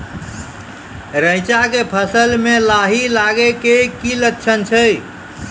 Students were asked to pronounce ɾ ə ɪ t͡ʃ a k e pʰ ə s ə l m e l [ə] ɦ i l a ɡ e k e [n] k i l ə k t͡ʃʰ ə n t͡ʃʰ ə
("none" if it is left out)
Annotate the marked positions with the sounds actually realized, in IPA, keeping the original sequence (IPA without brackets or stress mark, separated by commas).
a, none